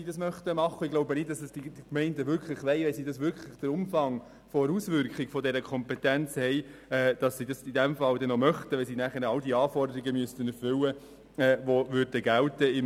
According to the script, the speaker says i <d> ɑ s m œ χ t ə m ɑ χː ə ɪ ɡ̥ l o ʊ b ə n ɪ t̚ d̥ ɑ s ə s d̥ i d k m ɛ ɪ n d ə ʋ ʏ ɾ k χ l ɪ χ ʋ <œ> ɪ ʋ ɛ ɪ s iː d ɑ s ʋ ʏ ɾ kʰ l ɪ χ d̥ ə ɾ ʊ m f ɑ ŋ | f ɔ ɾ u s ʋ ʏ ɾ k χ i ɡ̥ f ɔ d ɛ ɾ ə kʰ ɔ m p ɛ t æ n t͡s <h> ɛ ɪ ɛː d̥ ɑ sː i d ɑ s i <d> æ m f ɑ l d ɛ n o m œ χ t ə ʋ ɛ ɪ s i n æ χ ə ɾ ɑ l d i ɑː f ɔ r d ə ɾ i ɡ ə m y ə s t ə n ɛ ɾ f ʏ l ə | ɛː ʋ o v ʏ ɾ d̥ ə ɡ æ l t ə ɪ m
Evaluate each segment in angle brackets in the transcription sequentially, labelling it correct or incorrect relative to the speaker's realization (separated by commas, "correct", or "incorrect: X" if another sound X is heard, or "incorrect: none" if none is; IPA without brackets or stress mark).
correct, incorrect: ɛ, correct, correct